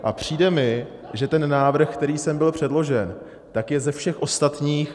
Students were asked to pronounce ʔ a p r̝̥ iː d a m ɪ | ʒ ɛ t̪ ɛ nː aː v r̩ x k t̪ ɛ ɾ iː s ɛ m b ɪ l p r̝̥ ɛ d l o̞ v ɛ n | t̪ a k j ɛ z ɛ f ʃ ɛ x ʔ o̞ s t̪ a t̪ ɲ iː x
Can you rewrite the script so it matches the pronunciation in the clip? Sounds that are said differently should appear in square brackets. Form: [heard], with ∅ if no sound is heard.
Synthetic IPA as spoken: ʔ a p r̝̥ iː d [ɛ] m ɪ | ʒ ɛ t̪ ɛ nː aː v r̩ x k t̪ ɛ ɾ iː s ɛ m b ɪ l p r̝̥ ɛ d l o̞ [ʒ] ɛ n | t̪ a k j ɛ z ɛ f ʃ ɛ x ʔ o̞ s t̪ a t̪ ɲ iː x